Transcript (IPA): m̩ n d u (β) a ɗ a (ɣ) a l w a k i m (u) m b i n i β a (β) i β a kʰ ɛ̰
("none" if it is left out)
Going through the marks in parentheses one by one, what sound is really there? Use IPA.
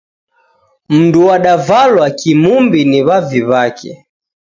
w, v, u, v

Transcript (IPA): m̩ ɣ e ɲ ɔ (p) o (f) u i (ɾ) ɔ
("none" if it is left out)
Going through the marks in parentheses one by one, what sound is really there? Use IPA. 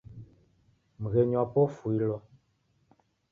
p, f, l

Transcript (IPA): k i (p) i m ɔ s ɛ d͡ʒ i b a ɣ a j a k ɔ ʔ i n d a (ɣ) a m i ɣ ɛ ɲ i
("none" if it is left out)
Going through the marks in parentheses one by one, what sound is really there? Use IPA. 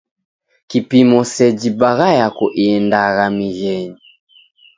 p, ɣ

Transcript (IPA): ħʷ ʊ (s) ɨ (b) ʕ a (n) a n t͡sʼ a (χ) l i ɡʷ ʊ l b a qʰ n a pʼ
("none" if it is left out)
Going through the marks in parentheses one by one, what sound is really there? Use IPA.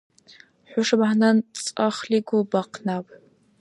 ʂ, b, n, χ

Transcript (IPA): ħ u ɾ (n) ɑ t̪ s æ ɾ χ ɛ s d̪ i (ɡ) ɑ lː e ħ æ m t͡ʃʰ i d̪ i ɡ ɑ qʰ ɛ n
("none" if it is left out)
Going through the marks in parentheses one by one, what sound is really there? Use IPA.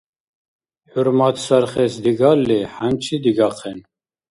m, ɡ

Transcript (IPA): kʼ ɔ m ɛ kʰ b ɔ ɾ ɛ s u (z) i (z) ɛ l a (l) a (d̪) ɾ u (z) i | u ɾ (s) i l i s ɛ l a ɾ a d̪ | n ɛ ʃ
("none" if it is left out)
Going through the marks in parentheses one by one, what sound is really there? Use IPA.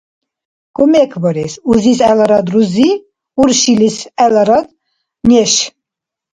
z, s, ɾ, d̪, z, ʃ

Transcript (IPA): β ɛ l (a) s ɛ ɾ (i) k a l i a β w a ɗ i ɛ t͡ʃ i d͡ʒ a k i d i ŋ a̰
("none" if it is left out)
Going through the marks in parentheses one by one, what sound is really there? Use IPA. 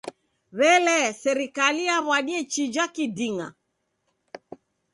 ɛ, i

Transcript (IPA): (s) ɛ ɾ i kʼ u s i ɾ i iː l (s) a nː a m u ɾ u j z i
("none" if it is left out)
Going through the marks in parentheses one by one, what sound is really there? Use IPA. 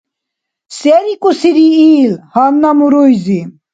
s, h

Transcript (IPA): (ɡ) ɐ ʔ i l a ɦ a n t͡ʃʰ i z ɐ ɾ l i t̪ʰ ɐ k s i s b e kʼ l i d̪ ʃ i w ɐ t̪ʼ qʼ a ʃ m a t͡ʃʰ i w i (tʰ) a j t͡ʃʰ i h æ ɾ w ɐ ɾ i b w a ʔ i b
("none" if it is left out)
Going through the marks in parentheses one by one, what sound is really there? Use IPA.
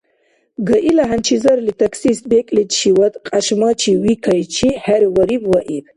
ɡ, kʰ

